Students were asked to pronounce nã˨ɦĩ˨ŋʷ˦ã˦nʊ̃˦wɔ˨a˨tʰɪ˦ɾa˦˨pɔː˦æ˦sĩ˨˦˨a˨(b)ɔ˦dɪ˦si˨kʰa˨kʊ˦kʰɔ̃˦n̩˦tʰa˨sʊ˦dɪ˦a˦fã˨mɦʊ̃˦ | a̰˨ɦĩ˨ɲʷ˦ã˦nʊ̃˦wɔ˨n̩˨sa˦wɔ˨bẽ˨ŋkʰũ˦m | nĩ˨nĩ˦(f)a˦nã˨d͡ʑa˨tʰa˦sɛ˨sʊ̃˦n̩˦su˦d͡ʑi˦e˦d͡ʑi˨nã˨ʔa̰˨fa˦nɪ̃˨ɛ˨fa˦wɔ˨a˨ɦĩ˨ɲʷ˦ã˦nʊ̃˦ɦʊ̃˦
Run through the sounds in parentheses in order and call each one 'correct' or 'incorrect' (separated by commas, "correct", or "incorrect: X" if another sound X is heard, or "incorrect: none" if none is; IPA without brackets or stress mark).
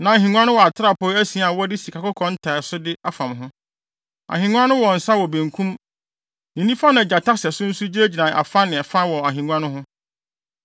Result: incorrect: w, correct